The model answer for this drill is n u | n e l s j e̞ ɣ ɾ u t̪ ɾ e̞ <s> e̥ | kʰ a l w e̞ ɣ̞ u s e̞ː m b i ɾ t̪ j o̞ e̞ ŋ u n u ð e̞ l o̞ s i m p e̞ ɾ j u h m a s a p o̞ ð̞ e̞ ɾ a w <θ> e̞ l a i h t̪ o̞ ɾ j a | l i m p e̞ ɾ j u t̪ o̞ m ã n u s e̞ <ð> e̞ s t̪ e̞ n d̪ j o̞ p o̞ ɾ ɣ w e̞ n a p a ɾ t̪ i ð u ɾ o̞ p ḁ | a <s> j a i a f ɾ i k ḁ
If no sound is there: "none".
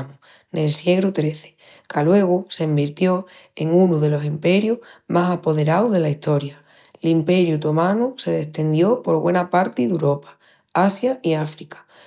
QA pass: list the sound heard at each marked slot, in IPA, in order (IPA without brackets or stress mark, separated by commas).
θ, ð, ð, s